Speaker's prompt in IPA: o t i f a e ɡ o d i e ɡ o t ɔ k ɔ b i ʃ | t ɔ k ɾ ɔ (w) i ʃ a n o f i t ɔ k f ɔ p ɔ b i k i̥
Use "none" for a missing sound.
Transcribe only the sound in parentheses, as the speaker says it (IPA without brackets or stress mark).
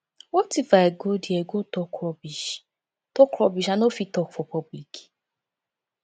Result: b